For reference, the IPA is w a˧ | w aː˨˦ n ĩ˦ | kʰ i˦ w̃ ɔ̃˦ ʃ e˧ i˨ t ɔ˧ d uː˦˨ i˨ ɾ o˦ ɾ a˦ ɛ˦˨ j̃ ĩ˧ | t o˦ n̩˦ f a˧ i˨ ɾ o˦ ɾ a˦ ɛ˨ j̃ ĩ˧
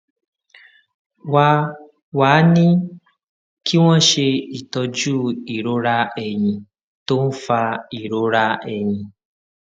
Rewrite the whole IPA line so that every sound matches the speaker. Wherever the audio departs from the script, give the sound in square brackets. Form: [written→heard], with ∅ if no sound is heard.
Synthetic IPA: w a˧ | w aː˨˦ n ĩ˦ | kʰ i˦ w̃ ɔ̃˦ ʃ e˧ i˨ t ɔ˧ [d→d͡ʒ] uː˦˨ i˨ ɾ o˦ ɾ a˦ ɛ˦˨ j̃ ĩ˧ | t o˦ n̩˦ f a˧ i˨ ɾ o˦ ɾ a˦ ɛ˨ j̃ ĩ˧